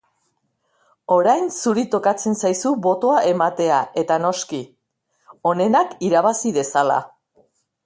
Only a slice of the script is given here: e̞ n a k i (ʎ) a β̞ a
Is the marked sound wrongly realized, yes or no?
yes